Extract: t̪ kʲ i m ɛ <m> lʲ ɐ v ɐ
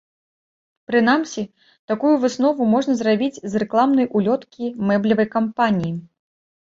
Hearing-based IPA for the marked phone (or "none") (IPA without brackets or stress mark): b